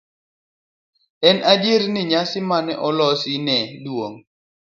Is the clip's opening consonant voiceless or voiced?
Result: voiced